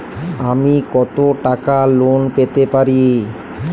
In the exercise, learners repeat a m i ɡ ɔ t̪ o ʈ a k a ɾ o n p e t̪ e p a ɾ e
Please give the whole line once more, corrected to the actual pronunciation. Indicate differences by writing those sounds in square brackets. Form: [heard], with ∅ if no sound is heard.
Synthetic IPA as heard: a m i [k] ɔ t̪ o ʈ a k a [l] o n p e t̪ e p a ɾ [i]